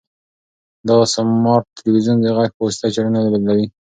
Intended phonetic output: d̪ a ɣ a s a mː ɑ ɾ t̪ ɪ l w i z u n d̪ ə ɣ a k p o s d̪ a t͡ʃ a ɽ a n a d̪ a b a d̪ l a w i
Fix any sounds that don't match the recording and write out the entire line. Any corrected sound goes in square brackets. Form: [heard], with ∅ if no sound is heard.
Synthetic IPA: d̪ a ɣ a s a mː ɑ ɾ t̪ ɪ l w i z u n d̪ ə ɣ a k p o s [t̪] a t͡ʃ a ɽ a n a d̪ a b a d̪ l a w i